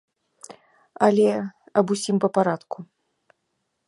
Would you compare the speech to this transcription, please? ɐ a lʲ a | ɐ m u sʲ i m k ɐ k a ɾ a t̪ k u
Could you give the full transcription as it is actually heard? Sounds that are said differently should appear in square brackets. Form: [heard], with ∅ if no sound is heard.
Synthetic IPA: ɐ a lʲ [ɛ] | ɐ [b] u sʲ i m [p] ɐ [p] a ɾ a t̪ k u